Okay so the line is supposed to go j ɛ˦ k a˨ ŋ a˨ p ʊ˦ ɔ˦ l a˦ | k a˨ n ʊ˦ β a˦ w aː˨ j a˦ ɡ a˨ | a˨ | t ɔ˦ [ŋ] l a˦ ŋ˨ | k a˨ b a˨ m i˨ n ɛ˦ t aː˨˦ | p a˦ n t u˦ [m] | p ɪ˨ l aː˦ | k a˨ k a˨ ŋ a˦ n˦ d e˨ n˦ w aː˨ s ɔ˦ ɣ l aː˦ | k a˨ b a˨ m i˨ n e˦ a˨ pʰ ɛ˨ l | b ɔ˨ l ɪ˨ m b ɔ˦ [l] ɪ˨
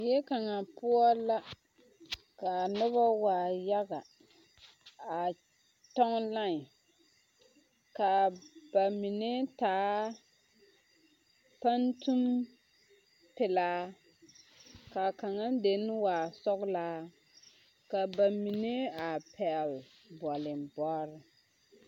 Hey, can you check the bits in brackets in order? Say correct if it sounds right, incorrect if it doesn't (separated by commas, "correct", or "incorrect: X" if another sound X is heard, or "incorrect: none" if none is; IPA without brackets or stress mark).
correct, correct, incorrect: ɾ